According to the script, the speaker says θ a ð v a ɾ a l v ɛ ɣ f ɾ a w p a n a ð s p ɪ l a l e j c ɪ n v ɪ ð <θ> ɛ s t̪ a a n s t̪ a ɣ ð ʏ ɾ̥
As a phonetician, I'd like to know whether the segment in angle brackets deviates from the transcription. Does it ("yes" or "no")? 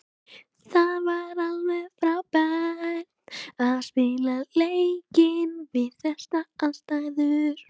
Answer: no